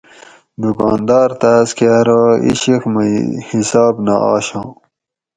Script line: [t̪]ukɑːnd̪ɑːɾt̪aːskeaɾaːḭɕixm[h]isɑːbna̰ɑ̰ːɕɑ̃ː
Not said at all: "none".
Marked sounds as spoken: d̪, h

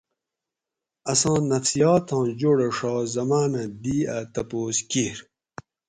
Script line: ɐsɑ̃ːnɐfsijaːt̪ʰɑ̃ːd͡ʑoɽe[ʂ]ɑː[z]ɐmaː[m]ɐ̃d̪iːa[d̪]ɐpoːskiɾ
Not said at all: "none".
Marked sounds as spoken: ʂ, z, n, t̪

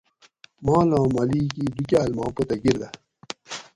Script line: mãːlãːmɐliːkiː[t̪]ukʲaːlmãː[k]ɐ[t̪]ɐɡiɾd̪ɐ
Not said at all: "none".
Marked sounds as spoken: d̪, p, t̪

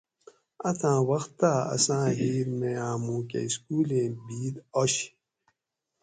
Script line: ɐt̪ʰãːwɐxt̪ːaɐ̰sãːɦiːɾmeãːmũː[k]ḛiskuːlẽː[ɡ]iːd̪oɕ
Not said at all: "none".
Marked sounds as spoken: k, b

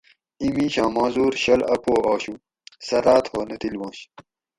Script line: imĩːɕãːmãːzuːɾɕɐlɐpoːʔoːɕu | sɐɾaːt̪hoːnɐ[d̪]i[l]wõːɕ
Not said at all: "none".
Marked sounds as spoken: t̪, l

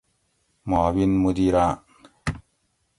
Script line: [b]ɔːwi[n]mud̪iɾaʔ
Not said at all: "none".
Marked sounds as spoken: m, n

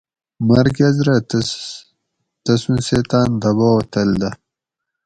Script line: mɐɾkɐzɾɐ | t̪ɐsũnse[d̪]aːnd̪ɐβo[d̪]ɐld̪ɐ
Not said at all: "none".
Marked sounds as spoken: t̪, t̪

